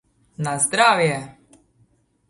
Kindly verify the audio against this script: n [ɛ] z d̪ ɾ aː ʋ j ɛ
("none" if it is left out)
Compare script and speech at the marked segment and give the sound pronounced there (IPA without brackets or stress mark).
a